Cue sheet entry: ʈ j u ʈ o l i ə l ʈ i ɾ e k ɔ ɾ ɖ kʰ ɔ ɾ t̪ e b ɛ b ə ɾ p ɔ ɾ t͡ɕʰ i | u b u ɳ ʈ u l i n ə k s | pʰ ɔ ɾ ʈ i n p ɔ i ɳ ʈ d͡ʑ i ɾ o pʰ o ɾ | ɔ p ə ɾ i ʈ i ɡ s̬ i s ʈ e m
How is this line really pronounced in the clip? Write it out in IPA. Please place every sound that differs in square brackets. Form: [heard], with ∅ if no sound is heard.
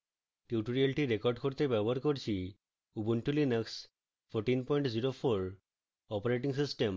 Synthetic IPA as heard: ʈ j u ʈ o [ɾ] i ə l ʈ i ɾ e k ɔ ɾ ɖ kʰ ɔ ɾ t̪ e b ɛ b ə ɾ [k] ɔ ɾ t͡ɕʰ i | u b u ɳ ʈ u l i n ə k s | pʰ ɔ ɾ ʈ i n p ɔ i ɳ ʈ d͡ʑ i ɾ o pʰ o ɾ | ɔ p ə ɾ [e] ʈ i [ŋ] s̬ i s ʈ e m